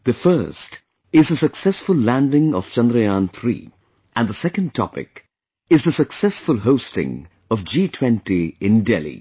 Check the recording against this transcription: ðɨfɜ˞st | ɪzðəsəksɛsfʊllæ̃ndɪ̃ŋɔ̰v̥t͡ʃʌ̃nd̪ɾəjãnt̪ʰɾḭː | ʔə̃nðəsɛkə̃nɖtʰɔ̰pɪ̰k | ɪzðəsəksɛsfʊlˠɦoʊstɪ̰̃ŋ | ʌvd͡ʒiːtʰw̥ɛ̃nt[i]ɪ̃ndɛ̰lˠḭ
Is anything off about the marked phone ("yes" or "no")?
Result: no